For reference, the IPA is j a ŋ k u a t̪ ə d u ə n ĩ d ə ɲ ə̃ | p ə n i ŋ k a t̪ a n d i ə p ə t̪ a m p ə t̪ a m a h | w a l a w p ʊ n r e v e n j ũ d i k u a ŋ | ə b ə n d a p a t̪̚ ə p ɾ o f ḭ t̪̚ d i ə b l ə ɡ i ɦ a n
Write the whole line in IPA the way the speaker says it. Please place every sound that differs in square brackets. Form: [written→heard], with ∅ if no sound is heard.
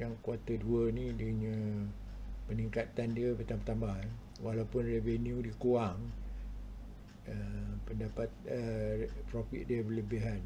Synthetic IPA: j a ŋ k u a t̪ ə d u ə n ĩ d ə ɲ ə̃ | p ə n i ŋ k a t̪ a n d i ə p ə t̪ a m p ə t̪ a m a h | w a l a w p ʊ n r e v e n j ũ d i k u a ŋ | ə [b→p] ə n d a p a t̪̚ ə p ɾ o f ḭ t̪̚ d i ə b l ə [ɡ→b] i ɦ a n